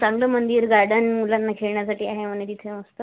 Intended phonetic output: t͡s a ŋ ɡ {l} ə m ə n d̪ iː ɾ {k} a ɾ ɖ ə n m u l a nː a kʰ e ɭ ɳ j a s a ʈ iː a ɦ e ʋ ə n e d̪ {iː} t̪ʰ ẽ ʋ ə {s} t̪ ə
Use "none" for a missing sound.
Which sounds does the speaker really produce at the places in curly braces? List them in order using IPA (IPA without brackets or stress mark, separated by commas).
l, ɡ, i, s